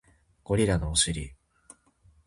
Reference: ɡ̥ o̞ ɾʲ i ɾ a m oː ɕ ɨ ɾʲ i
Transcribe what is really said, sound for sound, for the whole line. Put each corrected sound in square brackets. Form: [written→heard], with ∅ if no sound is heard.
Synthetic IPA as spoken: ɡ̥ o̞ ɾʲ i ɾ a [m→n] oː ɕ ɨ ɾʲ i